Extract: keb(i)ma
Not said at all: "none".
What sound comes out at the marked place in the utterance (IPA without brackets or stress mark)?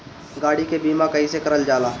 iː